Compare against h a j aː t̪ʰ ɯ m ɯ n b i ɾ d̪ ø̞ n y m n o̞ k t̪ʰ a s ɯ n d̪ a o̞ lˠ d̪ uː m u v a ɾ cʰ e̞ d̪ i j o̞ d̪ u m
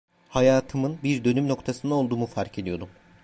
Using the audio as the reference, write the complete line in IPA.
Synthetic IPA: h a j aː t̪ʰ ɯ m ɯ n b i ɾ d̪ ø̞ n y m n o̞ k t̪ʰ a s ɯ n d̪ a o̞ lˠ d̪ uː m u f a ɾ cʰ e̞ d̪ i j o̞ d̪ u m